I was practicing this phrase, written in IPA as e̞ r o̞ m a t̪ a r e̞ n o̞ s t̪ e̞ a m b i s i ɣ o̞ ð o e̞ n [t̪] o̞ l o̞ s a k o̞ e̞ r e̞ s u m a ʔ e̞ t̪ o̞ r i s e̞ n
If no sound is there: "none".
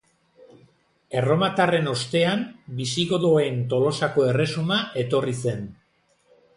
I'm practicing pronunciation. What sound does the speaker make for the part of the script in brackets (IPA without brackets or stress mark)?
t̪